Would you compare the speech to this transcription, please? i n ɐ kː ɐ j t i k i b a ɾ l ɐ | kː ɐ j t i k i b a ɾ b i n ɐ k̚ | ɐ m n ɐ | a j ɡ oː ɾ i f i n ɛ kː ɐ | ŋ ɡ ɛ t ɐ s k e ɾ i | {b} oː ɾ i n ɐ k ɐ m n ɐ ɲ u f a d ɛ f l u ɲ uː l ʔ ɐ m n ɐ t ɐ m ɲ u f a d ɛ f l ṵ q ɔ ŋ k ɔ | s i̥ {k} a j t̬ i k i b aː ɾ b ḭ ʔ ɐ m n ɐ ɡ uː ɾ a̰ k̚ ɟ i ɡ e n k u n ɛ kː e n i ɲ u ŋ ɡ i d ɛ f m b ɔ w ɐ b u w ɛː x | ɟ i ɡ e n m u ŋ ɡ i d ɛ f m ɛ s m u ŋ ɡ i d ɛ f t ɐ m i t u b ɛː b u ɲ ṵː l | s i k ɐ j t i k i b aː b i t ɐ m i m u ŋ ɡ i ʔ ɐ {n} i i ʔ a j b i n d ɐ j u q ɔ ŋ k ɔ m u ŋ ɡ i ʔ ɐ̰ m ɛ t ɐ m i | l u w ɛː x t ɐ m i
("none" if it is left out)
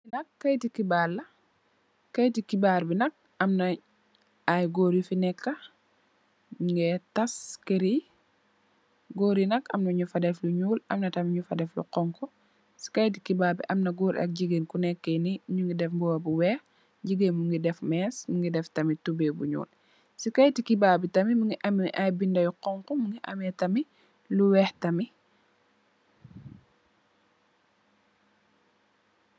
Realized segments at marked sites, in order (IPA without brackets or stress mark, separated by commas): ɡ, k, m